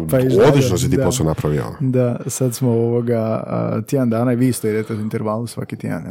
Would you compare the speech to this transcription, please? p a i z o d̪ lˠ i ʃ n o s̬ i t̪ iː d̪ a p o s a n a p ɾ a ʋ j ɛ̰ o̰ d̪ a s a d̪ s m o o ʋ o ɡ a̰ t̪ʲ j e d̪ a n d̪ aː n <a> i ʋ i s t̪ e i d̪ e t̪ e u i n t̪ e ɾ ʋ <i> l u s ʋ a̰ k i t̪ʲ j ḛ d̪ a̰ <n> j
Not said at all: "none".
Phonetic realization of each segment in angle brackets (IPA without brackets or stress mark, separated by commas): a, a, n